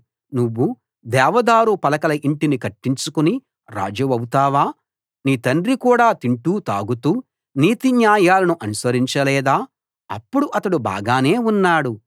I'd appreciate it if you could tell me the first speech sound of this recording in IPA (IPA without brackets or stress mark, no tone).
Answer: n